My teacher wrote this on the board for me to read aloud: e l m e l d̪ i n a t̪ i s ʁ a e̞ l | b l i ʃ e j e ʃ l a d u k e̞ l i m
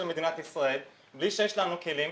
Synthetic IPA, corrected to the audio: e l m e d̪ i n a t̪ i s ʁ a e̞ l | b l i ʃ e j e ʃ l a n u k e̞ l i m